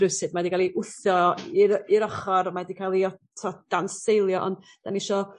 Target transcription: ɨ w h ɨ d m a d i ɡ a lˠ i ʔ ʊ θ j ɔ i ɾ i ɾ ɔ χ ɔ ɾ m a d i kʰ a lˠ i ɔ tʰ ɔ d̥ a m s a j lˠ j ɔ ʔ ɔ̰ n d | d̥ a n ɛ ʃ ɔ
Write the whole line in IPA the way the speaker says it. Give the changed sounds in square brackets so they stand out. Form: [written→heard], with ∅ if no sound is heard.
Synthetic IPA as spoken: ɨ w [h→s] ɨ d m a d i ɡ a lˠ i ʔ ʊ θ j ɔ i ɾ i ɾ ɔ χ ɔ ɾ m a d i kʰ a lˠ i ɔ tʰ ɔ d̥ a [m→n] s [a→e] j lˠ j ɔ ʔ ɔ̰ n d | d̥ a n [ɛ→i] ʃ ɔ